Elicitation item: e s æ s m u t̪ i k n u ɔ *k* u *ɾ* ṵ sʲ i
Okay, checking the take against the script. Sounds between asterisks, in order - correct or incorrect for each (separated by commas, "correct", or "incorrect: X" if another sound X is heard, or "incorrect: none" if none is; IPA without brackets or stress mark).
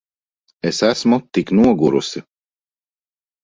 incorrect: ɡ, correct